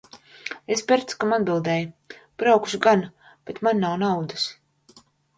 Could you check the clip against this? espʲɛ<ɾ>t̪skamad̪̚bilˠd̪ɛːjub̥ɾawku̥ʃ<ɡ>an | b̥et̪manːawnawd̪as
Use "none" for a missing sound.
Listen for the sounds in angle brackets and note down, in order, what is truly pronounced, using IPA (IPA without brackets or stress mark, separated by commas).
ɾ, ɡ